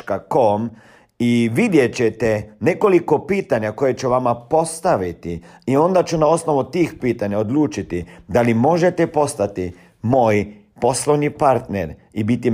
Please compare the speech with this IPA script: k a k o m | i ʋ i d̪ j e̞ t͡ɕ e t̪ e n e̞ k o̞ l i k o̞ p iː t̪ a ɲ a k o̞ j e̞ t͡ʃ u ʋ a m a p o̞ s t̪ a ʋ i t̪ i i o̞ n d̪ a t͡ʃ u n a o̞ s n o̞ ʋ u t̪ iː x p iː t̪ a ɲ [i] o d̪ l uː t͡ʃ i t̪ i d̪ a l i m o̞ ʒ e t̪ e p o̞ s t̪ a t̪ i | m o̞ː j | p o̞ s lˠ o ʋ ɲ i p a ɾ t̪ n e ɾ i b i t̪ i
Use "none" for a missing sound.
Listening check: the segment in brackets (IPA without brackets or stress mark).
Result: a